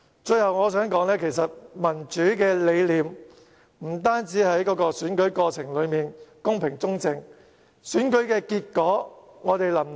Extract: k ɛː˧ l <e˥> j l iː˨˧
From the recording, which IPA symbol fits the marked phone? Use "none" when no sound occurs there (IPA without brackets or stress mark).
e˨˧